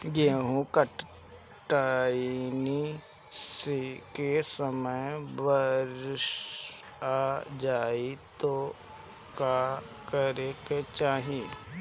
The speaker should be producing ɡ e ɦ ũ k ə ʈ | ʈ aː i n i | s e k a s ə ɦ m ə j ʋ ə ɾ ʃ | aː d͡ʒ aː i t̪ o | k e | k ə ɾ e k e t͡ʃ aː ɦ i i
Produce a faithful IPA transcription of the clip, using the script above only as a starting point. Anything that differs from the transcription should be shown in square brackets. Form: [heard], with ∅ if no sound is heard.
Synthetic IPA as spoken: ɡ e ɦ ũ k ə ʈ | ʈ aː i n i | s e k [e] s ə [∅] m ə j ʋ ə ɾ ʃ | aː d͡ʒ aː i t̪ o | k [a] | k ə ɾ e k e t͡ʃ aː ɦ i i